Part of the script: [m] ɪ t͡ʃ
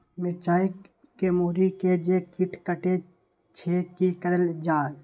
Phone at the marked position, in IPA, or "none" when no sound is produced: m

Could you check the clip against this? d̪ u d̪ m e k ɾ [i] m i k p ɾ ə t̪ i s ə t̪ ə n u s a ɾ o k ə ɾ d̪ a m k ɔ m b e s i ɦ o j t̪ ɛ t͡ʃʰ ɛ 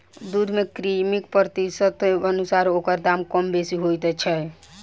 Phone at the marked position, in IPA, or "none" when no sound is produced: i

